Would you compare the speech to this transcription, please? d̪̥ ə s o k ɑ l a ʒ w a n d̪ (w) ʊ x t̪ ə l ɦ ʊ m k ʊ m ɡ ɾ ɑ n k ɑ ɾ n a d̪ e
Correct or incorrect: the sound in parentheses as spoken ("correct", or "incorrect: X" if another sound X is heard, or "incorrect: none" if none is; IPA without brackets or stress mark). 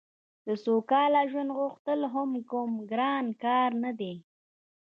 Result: incorrect: ɣ